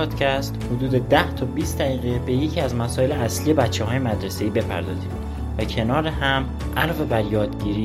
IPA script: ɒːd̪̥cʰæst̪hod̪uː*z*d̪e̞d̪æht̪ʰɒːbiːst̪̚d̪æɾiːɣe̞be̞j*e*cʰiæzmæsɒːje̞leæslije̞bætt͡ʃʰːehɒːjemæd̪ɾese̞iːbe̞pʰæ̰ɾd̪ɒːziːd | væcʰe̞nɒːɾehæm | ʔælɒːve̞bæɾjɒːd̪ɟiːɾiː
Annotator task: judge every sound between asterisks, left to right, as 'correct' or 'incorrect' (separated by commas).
incorrect, correct